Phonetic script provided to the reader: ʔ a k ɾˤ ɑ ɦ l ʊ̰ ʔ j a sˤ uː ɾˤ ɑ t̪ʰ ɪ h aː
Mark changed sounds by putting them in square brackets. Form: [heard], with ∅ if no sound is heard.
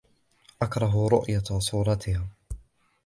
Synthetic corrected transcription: ʔ a k ɾˤ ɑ ɦ [ɾ] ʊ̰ ʔ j a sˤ uː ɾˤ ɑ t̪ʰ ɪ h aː

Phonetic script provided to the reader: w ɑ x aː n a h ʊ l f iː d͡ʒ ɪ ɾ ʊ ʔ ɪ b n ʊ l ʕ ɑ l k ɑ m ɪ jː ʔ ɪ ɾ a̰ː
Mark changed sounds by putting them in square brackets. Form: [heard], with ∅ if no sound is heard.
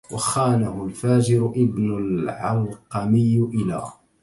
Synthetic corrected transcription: w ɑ x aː n a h ʊ l f [aː] d͡ʒ ɪ ɾ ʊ ʔ ɪ b n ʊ l ʕ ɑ l [q] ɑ m ɪ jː ʔ ɪ [l] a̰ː

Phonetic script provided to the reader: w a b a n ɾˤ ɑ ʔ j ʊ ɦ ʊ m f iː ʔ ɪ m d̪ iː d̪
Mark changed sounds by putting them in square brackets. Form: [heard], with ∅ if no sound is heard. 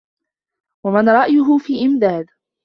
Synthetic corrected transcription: w a [m] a n ɾˤ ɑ ʔ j ʊ ɦ ʊ [∅] f iː ʔ ɪ m d̪ [aː] d̪

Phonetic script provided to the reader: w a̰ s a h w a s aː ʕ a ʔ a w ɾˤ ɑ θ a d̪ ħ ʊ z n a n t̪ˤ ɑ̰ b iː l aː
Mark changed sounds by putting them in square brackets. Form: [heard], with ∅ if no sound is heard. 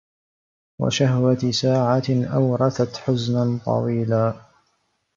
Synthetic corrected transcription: w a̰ [ʃ] a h w a s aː ʕ a ʔ a w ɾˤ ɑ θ a [t̪] ħ ʊ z n a n t̪ˤ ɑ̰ [w] iː l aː

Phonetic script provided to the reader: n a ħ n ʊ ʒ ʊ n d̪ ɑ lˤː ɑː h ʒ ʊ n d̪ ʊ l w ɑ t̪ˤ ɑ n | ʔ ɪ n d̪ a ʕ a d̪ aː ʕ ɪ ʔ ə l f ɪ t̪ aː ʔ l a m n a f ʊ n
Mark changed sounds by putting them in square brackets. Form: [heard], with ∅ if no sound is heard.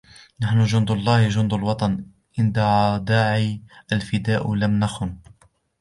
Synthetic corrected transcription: n a ħ n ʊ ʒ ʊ n d̪ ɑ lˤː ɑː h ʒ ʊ n d̪ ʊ l w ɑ t̪ˤ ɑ n | ʔ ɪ n d̪ a ʕ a d̪ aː ʕ [i] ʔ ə l f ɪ [d̪] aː ʔ l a m n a [x] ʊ n

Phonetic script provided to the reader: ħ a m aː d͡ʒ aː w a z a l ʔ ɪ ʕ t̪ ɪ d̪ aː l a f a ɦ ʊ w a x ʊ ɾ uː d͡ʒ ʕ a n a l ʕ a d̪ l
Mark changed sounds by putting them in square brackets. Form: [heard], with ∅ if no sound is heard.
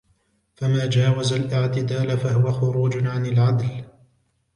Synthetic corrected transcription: [f] a m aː d͡ʒ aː w a z a l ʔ ɪ ʕ t̪ ɪ d̪ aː l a f a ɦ ʊ w a x ʊ ɾ uː d͡ʒ ʕ a n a l ʕ a d̪ l

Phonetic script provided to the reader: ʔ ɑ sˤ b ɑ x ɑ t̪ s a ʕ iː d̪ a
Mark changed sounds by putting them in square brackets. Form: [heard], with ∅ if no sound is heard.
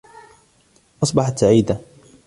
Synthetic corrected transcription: ʔ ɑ sˤ b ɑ [ħ] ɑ t̪ s a ʕ iː d̪ a

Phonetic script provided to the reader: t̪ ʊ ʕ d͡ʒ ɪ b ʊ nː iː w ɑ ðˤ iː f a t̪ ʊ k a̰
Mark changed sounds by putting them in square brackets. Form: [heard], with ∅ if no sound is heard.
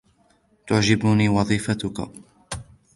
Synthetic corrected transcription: t̪ ʊ ʕ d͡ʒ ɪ b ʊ [n] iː w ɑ ðˤ iː f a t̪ ʊ k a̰

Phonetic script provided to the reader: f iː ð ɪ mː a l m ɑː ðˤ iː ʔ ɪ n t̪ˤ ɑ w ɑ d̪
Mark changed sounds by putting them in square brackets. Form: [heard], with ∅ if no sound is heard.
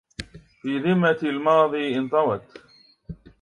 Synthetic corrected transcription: f iː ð ɪ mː a l m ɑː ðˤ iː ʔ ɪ n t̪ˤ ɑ w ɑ [t̪]

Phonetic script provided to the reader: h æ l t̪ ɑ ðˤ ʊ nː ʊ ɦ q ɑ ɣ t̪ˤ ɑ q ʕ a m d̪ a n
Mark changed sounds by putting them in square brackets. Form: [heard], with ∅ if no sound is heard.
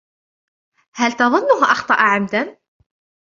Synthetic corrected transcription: h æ l t̪ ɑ ðˤ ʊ nː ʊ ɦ [ʔ] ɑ [x] t̪ˤ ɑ [ʔ] ʕ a m d̪ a n

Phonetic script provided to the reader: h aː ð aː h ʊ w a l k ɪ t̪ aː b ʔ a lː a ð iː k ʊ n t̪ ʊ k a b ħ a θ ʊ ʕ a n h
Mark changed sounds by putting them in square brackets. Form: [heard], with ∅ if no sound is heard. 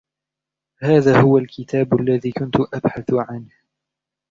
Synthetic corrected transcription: h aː ð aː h ʊ w a l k ɪ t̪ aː b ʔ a lː a ð iː k ʊ n t̪ ʊ [ʔ] a b ħ a θ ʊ ʕ a n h

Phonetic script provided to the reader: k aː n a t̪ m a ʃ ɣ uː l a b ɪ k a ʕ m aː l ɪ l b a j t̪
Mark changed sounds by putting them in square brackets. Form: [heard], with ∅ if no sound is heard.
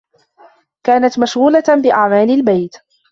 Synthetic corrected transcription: k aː n a t̪ m a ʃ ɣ uː l a b ɪ [ʔ] a ʕ m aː l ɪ l b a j t̪

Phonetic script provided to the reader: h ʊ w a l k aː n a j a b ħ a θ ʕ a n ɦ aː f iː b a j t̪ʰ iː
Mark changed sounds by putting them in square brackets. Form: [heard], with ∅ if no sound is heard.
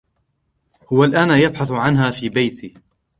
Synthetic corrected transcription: h ʊ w a l [ʔ] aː n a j a b ħ a θ ʕ a n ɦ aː f iː b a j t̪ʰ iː

